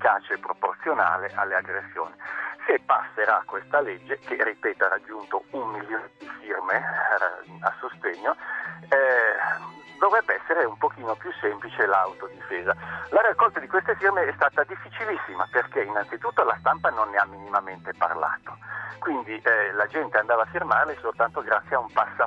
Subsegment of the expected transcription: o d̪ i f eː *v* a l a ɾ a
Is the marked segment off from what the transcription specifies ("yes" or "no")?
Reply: yes